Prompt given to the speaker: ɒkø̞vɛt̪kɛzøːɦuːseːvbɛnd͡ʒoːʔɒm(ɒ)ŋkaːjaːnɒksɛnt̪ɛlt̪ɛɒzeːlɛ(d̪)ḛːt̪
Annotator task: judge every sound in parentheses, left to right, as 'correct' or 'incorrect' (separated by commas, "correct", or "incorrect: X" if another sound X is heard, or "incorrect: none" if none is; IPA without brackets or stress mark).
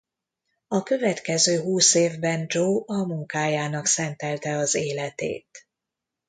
incorrect: u, incorrect: t̪